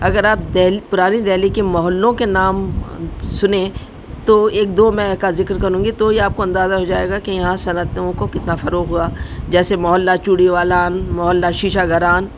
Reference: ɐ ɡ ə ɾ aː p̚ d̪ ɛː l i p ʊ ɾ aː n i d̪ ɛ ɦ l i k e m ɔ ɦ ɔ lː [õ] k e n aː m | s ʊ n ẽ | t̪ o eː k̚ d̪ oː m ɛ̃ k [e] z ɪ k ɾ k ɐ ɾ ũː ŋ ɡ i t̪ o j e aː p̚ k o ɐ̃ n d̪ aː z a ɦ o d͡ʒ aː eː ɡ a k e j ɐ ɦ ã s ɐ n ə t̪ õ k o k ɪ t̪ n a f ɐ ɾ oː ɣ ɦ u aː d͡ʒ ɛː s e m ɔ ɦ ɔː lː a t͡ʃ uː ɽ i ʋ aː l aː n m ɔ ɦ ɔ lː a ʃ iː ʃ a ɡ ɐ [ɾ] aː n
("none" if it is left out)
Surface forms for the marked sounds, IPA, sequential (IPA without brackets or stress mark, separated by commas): õ, a, ɾ